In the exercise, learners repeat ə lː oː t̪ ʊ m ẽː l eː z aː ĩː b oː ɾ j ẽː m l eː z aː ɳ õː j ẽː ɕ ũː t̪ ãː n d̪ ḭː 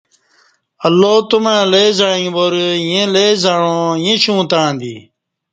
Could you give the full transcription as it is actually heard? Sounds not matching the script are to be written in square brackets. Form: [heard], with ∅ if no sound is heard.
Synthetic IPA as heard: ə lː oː t̪ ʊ m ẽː l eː z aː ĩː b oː ɾ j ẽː [∅] l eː z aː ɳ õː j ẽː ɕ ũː t̪ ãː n d̪ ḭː